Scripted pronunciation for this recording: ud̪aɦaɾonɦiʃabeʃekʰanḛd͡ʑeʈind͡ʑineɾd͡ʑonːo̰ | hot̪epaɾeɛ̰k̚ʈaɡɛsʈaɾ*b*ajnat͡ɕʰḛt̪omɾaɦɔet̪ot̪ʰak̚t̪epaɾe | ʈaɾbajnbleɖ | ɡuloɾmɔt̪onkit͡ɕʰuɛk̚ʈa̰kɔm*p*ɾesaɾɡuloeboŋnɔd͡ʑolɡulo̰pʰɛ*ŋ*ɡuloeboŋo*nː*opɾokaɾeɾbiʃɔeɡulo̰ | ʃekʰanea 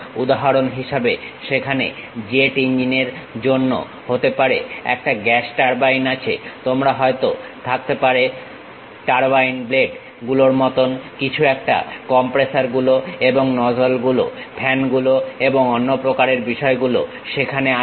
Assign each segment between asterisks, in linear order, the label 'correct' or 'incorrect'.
correct, correct, incorrect, correct

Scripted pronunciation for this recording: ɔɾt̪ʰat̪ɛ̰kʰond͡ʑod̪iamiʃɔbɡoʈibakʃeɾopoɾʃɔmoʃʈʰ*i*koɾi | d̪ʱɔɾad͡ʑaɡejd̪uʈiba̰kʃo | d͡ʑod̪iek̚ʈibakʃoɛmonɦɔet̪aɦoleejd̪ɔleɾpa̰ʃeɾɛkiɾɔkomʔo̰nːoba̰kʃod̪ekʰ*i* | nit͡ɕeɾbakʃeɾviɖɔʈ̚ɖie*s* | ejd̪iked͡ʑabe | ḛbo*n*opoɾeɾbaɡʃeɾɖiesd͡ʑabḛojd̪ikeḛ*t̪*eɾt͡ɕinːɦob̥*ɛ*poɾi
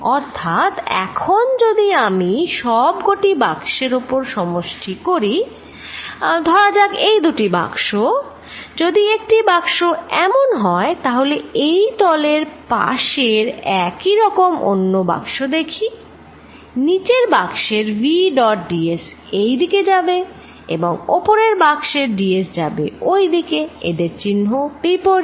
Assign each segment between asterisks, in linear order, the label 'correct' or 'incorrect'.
correct, correct, correct, incorrect, incorrect, incorrect

